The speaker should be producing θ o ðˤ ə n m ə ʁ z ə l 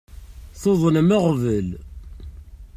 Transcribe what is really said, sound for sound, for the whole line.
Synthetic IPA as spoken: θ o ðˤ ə n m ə ʁ v ə l